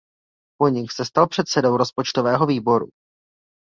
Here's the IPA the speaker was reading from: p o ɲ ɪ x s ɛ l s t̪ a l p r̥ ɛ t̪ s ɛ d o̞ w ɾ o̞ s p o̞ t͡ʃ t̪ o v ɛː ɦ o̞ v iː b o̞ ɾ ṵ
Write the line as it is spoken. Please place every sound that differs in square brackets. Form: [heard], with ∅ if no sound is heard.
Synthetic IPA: p o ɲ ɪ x s ɛ [∅] s t̪ a l p r̥ ɛ t̪ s ɛ d o̞ w ɾ o̞ s p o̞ t͡ʃ t̪ o v ɛː ɦ o̞ v iː b o̞ ɾ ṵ